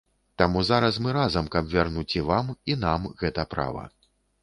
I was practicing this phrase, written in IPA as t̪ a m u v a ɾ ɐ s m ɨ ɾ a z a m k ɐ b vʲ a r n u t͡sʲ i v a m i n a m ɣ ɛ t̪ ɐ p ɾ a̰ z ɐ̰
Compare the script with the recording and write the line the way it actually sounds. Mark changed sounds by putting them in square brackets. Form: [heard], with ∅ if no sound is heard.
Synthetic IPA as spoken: t̪ a m u [z] a ɾ ɐ s m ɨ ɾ a z [ɐ] m k ɐ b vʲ a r n u t͡sʲ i v a m i n a m ɣ ɛ t̪ ɐ p ɾ a̰ [v] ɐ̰